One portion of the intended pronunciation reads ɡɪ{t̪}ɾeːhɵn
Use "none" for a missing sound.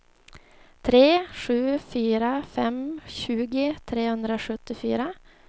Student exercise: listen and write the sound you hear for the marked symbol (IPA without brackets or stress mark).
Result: t̪ʰ